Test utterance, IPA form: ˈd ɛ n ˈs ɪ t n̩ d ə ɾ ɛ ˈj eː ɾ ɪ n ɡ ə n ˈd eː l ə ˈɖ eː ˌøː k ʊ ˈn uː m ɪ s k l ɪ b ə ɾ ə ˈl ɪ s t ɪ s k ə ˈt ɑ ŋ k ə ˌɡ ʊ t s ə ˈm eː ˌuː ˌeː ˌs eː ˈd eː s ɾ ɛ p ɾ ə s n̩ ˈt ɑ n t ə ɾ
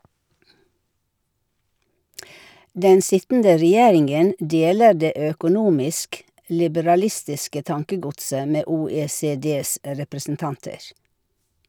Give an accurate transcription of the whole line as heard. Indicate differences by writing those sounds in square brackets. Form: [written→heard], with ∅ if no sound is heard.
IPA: ˈd ɛ n ˈs ɪ t n̩ d ə ɾ ɛ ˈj eː ɾ ɪ [n→ŋ] ɡ ə n ˈd eː l ə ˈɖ eː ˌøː k ʊ ˈn uː m ɪ s k l ɪ b ə ɾ [ə→ɑ] ˈl ɪ s t ɪ s k ə ˈt ɑ ŋ k ə ˌɡ ʊ t s ə ˈm eː ˌuː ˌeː ˌs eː ˈd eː s ɾ ɛ p ɾ ə s n̩ ˈt ɑ n t ə ɾ